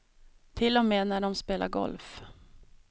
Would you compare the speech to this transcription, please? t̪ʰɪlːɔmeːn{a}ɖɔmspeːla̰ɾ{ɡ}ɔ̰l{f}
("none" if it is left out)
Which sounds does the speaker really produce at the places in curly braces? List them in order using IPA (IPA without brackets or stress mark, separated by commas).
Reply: æ, ɡ, f